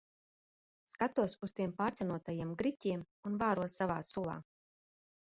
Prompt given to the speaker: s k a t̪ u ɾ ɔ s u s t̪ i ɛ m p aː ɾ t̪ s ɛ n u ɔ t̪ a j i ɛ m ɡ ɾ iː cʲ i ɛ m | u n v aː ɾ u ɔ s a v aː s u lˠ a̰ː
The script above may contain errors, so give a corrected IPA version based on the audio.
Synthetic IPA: s k a t̪ u ɔ s u s t̪ i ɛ m p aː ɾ t̪ s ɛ n u ɔ t̪ a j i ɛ m ɡ ɾ i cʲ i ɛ m | u n v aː ɾ u ɔ s a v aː s u lˠ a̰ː